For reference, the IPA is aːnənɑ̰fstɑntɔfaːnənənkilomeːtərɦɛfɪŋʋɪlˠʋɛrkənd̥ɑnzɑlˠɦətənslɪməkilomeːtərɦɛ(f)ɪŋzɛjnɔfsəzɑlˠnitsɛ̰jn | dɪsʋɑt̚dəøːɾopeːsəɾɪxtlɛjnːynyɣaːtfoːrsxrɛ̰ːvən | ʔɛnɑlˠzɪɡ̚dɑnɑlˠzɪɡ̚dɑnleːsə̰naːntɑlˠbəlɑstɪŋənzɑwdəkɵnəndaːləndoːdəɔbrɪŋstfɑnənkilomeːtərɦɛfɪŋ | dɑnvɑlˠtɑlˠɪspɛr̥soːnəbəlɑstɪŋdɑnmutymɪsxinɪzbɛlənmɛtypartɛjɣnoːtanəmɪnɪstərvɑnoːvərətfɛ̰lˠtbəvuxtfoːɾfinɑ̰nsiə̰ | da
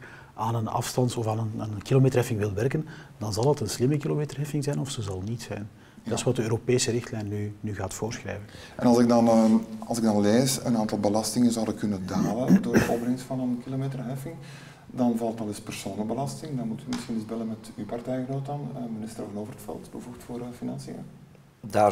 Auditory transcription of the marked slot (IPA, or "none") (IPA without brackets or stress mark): f